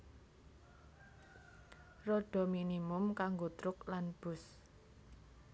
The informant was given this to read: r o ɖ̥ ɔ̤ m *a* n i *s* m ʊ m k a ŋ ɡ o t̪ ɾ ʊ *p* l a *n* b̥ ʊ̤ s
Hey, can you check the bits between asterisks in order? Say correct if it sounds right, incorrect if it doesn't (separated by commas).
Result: incorrect, incorrect, incorrect, correct